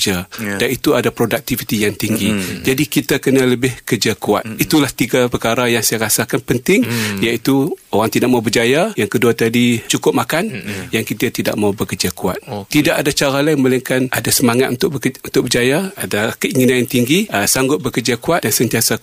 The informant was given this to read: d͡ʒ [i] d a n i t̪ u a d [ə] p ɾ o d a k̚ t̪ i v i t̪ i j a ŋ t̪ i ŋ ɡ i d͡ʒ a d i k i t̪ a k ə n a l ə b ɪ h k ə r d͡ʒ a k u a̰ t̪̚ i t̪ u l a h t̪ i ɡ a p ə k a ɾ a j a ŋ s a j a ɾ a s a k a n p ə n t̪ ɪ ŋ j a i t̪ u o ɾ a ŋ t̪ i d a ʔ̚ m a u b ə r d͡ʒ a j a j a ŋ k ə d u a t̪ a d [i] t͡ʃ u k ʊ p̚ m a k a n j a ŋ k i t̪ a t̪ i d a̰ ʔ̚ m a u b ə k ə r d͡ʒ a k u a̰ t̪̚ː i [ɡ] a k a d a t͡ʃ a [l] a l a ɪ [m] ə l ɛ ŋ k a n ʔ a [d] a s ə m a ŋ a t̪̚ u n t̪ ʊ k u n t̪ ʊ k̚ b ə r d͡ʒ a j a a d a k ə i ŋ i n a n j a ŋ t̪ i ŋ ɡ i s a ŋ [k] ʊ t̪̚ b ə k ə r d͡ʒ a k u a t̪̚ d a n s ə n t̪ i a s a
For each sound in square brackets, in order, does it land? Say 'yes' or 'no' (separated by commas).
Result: no, no, yes, no, no, yes, yes, no